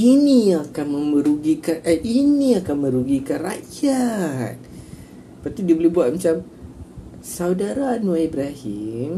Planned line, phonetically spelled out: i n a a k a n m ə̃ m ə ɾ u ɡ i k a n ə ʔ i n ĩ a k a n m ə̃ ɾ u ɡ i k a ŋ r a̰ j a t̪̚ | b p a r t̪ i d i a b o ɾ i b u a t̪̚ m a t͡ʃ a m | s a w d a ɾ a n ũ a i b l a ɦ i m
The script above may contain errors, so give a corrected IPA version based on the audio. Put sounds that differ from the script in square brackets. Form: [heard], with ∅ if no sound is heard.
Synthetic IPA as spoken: i n [i] a k a n m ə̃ m ə ɾ u ɡ i k a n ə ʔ i n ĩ a k a n m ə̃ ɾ u ɡ i k a [n] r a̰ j a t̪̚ | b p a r t̪ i d i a b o [l] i b u a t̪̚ m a t͡ʃ a m | s a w d a ɾ a n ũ a i b [ɾ] a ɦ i m